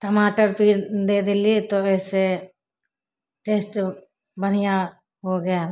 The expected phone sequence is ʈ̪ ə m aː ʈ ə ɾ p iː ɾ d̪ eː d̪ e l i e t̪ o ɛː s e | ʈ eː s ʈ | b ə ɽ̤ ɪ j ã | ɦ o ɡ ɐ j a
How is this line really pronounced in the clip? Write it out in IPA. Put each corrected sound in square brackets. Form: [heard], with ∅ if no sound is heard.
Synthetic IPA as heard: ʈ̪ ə m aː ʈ ə ɾ p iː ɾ d̪ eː d̪ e l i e t̪ o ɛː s e | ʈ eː s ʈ | b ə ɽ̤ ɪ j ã | ɦ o ɡ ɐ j a